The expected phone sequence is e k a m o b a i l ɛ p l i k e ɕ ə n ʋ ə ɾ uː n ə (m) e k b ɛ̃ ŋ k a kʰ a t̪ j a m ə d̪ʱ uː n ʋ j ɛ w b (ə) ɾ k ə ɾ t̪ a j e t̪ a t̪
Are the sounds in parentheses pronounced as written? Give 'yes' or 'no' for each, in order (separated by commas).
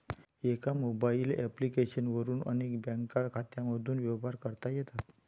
no, no